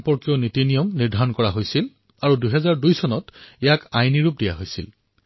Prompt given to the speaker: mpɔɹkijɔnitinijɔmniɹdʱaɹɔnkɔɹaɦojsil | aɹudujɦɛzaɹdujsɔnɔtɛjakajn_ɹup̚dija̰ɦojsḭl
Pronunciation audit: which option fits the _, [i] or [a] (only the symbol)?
i